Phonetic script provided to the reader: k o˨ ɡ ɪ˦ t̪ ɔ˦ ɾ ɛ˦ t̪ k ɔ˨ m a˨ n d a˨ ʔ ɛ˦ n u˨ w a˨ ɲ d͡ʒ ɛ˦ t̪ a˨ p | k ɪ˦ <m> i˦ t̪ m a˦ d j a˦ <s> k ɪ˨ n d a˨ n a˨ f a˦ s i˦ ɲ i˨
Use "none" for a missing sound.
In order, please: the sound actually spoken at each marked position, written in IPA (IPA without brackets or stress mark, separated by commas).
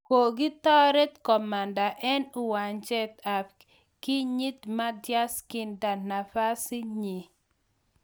ɲ, s